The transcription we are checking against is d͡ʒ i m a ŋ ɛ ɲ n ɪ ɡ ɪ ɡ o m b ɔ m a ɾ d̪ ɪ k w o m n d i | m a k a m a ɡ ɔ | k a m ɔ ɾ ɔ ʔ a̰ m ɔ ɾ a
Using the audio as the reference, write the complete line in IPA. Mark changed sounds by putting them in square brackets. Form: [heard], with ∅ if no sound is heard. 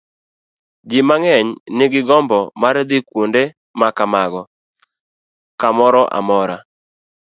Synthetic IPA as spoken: d͡ʒ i m a ŋ ɛ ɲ n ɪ ɡ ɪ ɡ [ɔ] m b ɔ m a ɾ d̪ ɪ k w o [∅] n d [e] | m a k a m a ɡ ɔ | k a m ɔ ɾ ɔ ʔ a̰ m ɔ ɾ a